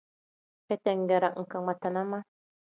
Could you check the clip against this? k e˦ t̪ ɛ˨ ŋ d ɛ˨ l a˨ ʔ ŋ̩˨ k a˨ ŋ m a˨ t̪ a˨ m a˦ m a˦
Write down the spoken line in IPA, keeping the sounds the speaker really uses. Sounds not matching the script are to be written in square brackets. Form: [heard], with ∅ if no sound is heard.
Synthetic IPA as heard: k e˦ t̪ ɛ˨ ŋ [ɡ] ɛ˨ [ɾ] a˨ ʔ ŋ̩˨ k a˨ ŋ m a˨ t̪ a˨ [n] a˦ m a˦